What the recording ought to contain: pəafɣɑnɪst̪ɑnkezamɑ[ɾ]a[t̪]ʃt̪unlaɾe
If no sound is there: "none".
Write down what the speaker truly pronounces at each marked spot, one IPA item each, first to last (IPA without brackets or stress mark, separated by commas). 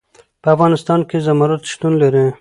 ɾ, t̪